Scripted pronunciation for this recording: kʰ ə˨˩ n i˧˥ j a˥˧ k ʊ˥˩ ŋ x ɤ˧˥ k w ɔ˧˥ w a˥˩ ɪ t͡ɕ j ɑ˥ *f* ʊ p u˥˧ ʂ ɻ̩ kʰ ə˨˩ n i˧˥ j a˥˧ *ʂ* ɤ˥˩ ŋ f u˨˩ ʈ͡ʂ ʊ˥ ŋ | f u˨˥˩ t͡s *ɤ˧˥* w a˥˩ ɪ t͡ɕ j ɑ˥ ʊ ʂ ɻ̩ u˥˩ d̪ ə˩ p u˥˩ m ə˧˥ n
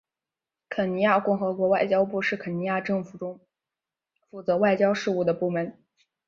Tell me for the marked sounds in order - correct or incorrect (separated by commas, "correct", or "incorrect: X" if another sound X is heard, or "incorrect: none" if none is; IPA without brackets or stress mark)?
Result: incorrect: none, incorrect: ʈ͡ʂ, correct